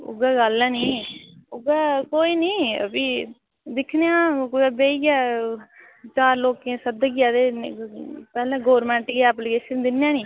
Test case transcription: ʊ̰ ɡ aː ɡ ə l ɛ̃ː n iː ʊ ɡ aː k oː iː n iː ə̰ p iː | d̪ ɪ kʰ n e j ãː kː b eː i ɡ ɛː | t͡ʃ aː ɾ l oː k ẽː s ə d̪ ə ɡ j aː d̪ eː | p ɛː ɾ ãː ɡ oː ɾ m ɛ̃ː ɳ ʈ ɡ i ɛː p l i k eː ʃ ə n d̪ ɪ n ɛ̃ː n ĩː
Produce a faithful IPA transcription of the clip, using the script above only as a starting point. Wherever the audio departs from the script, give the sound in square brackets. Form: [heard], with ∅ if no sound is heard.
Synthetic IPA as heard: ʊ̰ ɡ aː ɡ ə l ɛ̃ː n iː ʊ ɡ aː k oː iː n iː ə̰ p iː | d̪ ɪ kʰ n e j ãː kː b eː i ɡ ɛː | t͡ʃ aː ɾ l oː k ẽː s ə d̪ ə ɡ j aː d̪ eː | p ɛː [l] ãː ɡ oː ɾ m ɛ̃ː ɳ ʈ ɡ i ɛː p l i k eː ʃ ə n d̪ ɪ n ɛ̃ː n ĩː

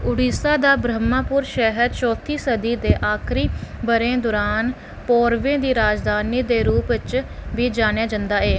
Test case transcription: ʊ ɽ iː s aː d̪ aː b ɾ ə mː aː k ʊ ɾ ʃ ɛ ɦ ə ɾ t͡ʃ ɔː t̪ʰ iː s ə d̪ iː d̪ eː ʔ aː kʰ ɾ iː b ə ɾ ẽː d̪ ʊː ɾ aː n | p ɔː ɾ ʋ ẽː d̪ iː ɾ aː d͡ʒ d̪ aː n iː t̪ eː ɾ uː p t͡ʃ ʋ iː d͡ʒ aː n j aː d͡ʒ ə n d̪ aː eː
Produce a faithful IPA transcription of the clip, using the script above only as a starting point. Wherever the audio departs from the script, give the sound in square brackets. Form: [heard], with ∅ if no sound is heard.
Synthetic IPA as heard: ʊ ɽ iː s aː d̪ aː b ɾ ə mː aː [p] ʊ ɾ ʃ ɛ ɦ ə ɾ t͡ʃ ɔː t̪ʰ iː s ə d̪ iː d̪ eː ʔ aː kʰ ɾ iː b ə ɾ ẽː d̪ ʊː ɾ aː n | p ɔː ɾ ʋ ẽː d̪ iː ɾ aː d͡ʒ d̪ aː n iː [d̪] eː ɾ uː p t͡ʃ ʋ iː d͡ʒ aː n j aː d͡ʒ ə n d̪ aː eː

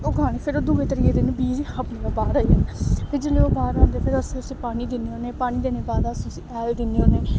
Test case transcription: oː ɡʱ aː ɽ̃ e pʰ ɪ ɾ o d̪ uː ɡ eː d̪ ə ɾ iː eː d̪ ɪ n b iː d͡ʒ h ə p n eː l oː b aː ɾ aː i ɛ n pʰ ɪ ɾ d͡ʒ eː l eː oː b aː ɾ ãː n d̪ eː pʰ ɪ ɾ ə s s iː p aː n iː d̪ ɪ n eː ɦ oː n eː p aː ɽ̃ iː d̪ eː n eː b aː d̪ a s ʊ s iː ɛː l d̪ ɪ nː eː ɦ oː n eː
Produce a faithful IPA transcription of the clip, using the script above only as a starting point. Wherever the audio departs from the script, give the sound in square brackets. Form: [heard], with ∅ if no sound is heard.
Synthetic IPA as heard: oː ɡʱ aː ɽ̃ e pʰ ɪ ɾ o d̪ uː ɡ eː [t̪] ə ɾ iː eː d̪ ɪ n b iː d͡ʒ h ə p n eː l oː b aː ɾ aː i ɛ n pʰ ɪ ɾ d͡ʒ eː l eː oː b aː ɾ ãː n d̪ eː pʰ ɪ ɾ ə s s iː p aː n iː d̪ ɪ n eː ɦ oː n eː p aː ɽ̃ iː d̪ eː n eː b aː d̪ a s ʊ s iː ɛː l d̪ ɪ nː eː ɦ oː n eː

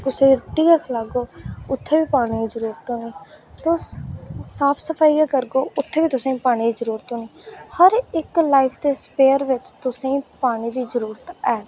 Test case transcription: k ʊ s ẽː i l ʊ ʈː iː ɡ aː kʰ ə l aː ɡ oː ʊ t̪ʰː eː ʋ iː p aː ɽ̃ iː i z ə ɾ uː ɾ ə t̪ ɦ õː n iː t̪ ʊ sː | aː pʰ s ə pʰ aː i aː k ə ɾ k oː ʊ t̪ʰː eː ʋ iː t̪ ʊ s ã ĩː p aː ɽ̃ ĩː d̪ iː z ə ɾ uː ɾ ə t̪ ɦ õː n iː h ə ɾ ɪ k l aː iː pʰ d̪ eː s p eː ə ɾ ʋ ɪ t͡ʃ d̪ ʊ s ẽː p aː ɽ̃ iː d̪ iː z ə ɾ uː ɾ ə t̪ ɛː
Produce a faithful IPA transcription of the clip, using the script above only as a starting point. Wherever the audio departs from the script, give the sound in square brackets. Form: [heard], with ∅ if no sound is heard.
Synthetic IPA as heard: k ʊ s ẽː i [ɾ] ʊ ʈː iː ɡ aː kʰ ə l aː ɡ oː ʊ t̪ʰː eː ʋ iː p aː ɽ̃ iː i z ə ɾ uː ɾ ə t̪ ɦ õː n iː t̪ ʊ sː | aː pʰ s ə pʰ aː i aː k ə ɾ [ɡ] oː ʊ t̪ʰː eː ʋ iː t̪ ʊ s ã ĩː p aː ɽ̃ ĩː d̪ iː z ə ɾ uː ɾ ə t̪ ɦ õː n iː h ə ɾ ɪ k l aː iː pʰ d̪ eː s p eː ə ɾ ʋ ɪ t͡ʃ [t̪] ʊ s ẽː p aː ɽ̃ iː d̪ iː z ə ɾ uː ɾ ə t̪ ɛː

